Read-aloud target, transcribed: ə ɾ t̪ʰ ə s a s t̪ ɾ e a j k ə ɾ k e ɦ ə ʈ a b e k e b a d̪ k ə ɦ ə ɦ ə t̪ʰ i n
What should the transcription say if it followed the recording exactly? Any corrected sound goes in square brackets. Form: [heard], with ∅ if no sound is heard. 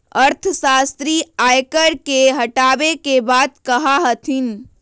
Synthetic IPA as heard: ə ɾ t̪ʰ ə s a s t̪ ɾ [i] a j k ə ɾ k e ɦ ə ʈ a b e k e b a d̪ k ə ɦ [a] ɦ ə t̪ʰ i n